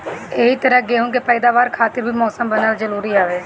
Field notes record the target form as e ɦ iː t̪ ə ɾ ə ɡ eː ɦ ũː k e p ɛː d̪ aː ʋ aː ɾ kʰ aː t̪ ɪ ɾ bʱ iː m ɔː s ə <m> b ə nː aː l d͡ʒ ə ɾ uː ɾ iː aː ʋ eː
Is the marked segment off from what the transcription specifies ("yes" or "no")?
no